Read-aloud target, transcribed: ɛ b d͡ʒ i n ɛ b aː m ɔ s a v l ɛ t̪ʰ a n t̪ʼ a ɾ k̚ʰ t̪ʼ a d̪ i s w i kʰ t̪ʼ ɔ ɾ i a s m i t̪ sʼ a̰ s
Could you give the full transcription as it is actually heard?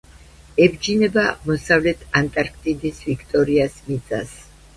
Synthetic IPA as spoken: ɛ b d͡ʒ i n ɛ b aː m ɔ s a v l ɛ t̪ʰ a n t̪ʼ a ɾ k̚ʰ t̪ʼ i d̪ i s v i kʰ t̪ʼ ɔ ɾ i a s m i t̪ sʼ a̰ s